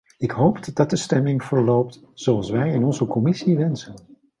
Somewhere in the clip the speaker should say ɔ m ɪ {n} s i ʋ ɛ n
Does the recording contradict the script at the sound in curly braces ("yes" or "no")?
yes